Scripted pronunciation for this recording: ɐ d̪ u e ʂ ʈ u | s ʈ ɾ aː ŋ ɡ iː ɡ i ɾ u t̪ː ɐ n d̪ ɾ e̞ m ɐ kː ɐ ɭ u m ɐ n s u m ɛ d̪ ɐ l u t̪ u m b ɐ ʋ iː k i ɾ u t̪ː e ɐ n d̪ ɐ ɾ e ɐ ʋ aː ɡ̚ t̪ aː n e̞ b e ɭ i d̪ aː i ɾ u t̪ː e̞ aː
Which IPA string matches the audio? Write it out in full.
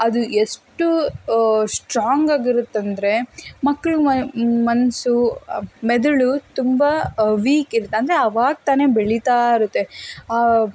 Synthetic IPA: ɐ d̪ u e ʂ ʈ u | s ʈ ɾ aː ŋ ɡ aː ɡ i ɾ u t̪ː ɐ n d̪ ɾ e̞ m ɐ kː ɐ ɭ u m ɐ n s u m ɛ d̪ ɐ ɭ u t̪ u m b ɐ ʋ iː k i ɾ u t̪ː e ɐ n d̪ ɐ ɾ e ɐ ʋ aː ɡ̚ t̪ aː n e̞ b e ɭ i t̪ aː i ɾ u t̪ː e̞ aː